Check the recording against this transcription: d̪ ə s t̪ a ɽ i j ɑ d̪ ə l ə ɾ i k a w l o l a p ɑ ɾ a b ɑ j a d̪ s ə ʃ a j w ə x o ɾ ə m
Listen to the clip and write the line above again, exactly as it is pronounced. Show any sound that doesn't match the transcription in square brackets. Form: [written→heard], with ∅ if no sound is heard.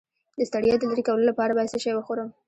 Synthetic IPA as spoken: d̪ ə s t̪ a ɽ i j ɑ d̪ ə l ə ɾ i k a w l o l a p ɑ ɾ a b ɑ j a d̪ s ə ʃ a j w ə x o ɾ ə m